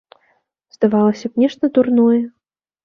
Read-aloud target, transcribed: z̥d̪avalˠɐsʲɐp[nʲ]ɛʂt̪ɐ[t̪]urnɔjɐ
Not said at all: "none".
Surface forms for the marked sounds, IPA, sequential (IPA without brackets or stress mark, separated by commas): nʲ, d̪